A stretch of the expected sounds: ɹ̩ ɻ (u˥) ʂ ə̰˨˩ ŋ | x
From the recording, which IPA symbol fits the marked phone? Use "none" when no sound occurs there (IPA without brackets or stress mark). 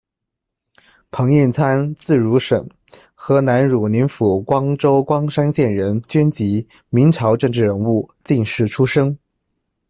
u˧˥